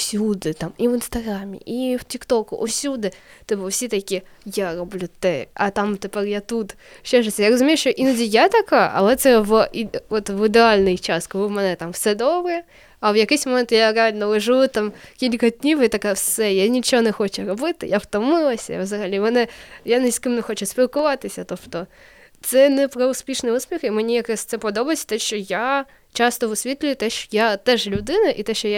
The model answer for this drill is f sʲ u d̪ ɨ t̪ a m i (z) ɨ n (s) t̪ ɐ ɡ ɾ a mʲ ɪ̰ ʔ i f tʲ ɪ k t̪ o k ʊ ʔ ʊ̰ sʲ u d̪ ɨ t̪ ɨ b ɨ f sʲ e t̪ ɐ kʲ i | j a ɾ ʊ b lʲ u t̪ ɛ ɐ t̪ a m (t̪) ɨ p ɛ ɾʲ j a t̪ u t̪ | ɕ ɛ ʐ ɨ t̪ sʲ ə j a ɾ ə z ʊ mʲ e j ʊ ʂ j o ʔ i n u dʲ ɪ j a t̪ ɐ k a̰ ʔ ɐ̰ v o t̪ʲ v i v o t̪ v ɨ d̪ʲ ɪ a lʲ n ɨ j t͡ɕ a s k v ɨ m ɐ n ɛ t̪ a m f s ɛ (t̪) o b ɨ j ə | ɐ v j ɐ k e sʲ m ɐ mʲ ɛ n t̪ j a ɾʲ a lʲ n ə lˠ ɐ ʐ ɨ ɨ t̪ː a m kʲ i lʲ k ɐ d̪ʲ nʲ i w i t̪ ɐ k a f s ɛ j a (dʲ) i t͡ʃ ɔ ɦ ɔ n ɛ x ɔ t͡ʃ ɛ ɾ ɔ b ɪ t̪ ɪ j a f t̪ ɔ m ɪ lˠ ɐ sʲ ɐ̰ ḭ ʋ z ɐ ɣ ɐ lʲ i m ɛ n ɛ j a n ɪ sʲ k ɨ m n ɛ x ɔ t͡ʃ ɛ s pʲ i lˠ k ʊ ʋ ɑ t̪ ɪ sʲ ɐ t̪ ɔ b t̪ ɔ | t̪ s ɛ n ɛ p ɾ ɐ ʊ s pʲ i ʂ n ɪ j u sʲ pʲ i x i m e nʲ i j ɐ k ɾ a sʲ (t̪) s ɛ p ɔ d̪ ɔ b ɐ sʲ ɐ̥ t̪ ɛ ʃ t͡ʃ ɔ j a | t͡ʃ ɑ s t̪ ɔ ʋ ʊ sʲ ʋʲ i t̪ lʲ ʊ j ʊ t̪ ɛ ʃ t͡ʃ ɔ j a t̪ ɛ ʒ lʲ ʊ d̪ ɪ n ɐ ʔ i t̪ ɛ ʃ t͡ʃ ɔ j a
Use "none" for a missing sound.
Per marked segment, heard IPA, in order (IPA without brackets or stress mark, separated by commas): v, s, t̪, d̪, nʲ, t̪